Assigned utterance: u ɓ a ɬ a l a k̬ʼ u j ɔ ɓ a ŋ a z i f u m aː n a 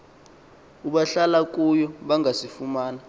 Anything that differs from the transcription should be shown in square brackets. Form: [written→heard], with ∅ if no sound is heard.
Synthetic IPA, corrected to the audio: u ɓ a ɬ a l a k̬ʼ u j ɔ ɓ a ŋ a [z→s] i f u m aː n a